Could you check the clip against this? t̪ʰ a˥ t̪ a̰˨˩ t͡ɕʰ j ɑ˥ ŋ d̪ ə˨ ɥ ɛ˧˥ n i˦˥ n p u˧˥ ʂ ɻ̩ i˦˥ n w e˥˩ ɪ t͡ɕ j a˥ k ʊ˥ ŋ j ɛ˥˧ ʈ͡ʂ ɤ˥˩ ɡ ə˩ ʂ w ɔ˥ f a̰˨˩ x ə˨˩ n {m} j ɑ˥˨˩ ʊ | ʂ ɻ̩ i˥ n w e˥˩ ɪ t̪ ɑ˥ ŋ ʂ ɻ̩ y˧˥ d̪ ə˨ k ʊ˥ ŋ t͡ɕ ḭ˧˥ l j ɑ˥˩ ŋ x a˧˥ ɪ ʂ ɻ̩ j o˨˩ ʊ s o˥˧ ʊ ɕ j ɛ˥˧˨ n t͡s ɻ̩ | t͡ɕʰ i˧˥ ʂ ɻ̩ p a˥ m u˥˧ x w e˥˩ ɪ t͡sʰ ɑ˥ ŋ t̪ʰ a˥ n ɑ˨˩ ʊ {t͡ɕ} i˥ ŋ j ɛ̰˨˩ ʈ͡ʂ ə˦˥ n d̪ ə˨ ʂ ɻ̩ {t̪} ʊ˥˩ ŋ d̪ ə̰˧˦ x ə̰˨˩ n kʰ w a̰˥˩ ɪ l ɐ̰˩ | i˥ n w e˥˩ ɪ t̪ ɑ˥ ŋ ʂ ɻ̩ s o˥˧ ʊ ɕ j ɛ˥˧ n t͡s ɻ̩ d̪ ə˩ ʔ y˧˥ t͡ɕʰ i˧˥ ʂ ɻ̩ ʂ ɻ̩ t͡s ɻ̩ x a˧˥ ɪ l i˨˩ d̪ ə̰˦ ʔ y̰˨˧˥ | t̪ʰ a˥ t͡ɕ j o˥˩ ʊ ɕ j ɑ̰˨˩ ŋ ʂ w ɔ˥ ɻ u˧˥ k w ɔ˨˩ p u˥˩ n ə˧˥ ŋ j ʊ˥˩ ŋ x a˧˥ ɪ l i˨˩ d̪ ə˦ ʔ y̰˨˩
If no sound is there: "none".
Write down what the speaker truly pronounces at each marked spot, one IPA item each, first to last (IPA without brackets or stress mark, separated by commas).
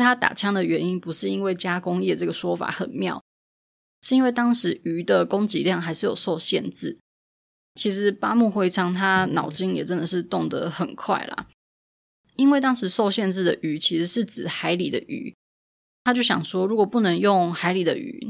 m, t͡ɕ, t̪